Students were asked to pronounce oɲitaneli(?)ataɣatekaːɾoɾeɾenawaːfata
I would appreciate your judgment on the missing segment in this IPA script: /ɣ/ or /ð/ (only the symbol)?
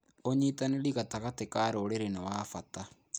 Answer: ɣ